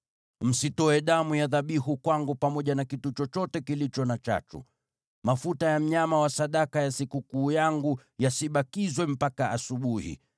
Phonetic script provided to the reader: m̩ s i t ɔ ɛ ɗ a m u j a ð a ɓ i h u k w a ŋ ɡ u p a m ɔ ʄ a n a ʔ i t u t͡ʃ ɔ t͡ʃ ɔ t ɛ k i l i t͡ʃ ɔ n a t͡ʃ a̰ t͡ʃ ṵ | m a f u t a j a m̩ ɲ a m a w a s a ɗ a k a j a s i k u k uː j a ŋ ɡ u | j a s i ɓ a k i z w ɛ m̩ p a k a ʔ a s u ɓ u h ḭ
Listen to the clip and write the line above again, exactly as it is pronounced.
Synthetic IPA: m̩ s i t ɔ ɛ ɗ a m u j a ð a ɓ i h u k w a ŋ ɡ u p a m ɔ ʄ a n a k i t u t͡ʃ ɔ t͡ʃ ɔ t ɛ k i l i t͡ʃ ɔ n a t͡ʃ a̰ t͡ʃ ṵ | m a f u t a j a m̩ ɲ a m a w a s a ɗ a k a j a s i k u k uː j a ŋ ɡ u | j a s i ɓ a k i z w ɛ m̩ p a k a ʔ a s u ɓ u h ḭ